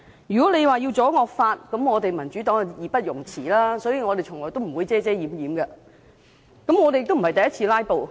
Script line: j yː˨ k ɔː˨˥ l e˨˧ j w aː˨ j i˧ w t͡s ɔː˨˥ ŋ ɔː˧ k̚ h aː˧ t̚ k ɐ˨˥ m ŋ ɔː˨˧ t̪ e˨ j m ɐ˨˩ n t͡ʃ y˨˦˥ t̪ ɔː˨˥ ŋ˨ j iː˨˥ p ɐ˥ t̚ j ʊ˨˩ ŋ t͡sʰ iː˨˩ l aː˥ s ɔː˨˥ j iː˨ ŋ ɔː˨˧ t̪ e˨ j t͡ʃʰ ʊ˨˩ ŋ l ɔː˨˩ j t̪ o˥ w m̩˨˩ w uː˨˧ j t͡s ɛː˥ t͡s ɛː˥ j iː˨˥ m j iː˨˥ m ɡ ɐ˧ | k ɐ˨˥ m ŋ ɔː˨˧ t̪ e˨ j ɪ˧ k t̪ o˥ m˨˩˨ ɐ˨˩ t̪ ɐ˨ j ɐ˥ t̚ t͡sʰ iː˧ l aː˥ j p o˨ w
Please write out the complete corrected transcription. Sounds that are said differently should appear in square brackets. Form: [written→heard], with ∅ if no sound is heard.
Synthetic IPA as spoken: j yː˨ k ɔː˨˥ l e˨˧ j w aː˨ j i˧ w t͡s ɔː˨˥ ŋ ɔː˧ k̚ [h→f] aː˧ t̚ k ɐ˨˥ m ŋ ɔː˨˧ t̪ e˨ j m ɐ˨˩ n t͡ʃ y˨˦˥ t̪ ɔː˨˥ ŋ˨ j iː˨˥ p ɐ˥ t̚ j ʊ˨˩ ŋ t͡sʰ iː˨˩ l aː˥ s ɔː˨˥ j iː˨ ŋ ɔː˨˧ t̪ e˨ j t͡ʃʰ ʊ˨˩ ŋ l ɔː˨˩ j t̪ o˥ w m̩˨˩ w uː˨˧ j t͡s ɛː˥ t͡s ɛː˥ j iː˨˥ m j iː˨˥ m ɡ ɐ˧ | k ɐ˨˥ m ŋ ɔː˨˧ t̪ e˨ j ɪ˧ k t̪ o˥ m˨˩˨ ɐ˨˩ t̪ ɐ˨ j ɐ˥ t̚ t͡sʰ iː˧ l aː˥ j p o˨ w